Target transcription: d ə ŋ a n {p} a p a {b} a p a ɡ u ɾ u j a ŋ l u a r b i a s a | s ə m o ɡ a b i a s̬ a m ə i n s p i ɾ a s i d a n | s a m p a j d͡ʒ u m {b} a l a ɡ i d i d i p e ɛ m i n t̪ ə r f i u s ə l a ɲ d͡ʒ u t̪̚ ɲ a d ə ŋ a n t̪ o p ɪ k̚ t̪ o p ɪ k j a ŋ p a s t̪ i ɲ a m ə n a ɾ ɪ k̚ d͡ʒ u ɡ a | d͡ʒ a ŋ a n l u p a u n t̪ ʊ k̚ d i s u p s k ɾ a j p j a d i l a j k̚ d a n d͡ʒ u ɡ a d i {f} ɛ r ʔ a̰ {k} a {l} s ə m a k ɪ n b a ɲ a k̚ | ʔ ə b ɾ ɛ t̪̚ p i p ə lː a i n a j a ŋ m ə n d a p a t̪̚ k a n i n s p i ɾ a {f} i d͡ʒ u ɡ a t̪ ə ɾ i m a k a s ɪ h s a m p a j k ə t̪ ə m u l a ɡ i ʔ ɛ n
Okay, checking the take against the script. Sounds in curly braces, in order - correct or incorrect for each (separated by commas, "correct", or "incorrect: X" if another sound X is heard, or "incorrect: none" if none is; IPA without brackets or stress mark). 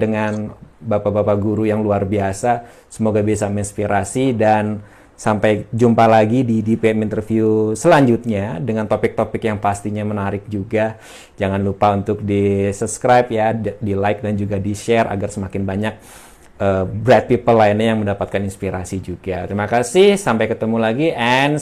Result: incorrect: b, correct, incorrect: p, incorrect: ʃ, incorrect: ɡ, incorrect: r, incorrect: s